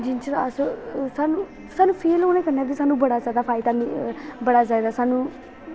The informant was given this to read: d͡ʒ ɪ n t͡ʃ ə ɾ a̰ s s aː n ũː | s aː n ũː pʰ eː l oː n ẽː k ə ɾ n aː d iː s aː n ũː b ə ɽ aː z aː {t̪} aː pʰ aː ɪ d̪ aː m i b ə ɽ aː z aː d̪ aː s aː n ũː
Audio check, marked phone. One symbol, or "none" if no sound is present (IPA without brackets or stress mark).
d̪